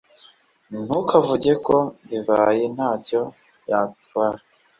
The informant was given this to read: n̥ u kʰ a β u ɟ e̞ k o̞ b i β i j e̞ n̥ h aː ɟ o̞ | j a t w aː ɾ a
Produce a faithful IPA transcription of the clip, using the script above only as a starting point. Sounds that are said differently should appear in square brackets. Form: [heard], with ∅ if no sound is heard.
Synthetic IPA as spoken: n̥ u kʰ a [v] u ɟ e̞ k o̞ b i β [a] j e̞ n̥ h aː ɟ o̞ | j a t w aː ɾ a